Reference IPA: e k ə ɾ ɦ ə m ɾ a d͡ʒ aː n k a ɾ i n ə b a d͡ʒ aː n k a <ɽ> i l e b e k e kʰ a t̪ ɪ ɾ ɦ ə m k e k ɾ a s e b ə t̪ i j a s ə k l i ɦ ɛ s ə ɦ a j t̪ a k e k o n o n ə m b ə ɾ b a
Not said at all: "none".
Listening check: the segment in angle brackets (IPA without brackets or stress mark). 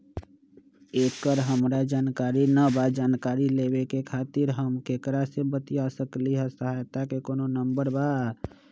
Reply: ɾ